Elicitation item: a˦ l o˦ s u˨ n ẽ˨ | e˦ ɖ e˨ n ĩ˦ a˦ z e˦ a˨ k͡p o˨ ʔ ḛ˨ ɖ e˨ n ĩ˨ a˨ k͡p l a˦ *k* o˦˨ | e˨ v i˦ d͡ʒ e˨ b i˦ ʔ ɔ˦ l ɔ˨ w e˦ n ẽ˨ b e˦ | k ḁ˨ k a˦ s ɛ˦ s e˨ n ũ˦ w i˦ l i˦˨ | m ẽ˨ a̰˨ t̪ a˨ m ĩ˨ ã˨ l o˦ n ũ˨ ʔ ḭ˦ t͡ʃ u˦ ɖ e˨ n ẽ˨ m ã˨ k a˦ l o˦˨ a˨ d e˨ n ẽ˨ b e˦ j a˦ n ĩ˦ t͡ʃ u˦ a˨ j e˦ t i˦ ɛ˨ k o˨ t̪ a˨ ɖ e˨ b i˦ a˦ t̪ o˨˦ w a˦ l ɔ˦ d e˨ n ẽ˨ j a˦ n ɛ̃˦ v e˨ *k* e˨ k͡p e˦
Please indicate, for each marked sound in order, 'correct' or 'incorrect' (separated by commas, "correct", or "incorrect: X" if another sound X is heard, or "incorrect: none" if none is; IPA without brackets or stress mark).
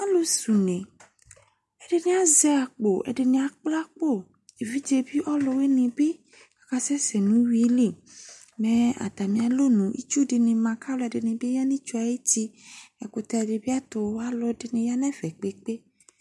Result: incorrect: k͡p, incorrect: k͡p